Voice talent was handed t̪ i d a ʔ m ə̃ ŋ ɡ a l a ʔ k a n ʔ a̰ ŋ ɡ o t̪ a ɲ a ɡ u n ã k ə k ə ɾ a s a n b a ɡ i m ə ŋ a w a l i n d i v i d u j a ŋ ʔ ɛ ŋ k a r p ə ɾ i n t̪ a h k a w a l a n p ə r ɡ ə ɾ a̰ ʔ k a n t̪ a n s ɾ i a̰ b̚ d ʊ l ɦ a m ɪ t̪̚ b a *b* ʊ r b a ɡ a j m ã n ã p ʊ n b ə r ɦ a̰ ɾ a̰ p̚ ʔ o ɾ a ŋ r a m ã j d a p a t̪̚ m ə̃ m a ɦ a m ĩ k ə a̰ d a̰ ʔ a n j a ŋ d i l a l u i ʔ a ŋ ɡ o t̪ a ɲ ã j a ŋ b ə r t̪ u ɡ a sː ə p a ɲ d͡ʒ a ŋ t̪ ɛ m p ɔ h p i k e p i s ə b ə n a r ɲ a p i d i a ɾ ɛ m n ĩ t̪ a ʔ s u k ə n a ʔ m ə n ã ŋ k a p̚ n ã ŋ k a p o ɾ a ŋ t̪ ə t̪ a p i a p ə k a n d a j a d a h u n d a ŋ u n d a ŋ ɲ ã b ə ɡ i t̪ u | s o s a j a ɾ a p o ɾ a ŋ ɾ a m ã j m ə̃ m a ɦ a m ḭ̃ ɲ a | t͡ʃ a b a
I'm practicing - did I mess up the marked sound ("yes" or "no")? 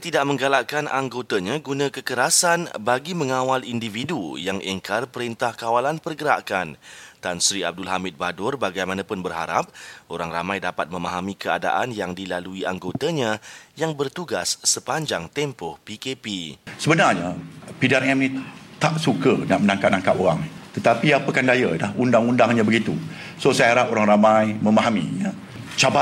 yes